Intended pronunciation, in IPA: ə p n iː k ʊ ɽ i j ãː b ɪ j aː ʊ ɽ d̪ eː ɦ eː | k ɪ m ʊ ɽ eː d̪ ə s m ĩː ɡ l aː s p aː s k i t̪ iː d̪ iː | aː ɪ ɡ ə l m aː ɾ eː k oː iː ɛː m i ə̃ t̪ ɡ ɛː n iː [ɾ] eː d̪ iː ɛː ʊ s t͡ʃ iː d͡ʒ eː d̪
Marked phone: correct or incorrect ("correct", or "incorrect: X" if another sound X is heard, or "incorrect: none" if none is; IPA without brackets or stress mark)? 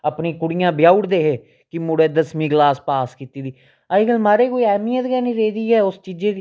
correct